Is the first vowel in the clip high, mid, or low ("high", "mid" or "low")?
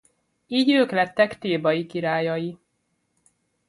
high